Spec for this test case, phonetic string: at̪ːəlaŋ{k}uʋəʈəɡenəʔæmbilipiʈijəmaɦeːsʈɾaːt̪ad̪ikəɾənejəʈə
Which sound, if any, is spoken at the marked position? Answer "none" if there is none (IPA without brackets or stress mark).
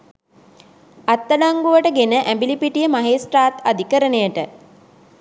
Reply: ɡ